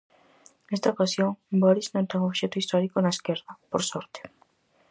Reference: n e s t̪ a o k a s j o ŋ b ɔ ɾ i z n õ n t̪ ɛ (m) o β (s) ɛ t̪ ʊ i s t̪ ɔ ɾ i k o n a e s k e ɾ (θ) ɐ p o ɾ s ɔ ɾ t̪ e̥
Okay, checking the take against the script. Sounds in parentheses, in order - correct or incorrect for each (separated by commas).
incorrect, incorrect, incorrect